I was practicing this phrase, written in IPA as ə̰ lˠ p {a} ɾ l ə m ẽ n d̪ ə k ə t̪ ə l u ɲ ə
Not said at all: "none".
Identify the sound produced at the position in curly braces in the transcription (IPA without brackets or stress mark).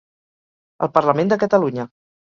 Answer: ə